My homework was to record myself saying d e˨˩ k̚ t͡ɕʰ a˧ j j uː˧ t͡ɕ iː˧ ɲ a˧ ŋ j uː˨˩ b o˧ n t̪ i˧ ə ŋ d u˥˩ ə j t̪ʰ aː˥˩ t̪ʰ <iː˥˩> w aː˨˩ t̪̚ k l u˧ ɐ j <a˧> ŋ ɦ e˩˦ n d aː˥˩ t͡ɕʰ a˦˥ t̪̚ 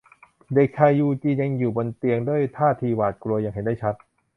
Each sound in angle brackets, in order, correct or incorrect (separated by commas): incorrect, correct